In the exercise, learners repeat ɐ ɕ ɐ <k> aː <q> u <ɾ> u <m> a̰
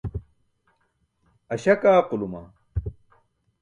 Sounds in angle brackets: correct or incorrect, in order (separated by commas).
correct, correct, incorrect, correct